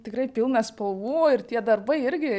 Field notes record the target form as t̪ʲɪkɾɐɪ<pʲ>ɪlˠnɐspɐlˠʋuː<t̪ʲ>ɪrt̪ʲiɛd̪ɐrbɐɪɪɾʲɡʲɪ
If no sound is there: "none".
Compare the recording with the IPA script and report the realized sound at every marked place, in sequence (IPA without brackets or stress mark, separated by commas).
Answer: pʲ, none